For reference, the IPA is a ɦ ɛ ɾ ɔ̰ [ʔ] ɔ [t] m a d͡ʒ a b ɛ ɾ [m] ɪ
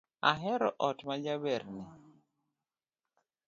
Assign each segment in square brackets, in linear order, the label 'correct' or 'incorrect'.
correct, correct, incorrect

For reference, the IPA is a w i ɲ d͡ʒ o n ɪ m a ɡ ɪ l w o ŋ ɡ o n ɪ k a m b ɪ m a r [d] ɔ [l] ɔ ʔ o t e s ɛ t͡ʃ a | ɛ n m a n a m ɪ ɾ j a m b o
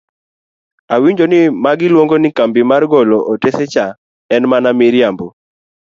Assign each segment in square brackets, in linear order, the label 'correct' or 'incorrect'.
incorrect, correct

